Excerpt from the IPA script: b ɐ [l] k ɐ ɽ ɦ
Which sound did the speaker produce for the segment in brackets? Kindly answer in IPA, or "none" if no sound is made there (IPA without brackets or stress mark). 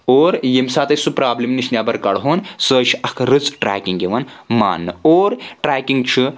ɾ